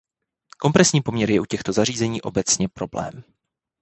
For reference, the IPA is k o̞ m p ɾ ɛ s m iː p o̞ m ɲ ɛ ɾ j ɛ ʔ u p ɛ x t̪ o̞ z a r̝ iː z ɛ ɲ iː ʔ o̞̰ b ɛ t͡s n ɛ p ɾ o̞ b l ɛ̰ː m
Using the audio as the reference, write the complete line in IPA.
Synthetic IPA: k o̞ m p ɾ ɛ s ɲ iː p o̞ m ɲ ɛ ɾ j ɛ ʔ u c ɛ x t̪ o̞ z a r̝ iː z ɛ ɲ iː ʔ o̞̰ b ɛ t͡s ɲ ɛ p ɾ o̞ b l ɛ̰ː m